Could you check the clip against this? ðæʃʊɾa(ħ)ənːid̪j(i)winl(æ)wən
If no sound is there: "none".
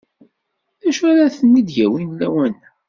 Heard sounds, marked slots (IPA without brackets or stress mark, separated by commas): θ, æ, æ